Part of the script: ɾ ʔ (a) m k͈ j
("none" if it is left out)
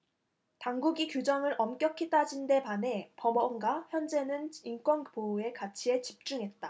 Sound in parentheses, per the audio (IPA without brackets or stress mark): ʌ